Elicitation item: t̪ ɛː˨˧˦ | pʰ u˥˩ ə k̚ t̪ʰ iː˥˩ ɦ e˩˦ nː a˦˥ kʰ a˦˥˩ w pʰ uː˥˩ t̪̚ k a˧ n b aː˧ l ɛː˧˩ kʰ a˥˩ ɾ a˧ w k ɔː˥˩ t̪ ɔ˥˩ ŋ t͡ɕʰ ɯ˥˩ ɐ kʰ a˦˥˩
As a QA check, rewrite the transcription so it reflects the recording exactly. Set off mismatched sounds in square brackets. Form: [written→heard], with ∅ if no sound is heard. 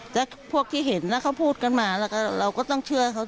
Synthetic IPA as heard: t̪ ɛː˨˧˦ | pʰ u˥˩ ə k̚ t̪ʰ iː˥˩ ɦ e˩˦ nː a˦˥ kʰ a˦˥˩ w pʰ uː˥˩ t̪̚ k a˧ n [b→m] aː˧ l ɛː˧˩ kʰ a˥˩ ɾ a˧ w k ɔː˥˩ t̪ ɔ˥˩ ŋ t͡ɕʰ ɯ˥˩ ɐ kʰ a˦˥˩